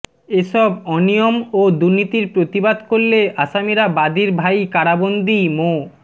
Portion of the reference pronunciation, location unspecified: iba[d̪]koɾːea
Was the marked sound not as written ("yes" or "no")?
no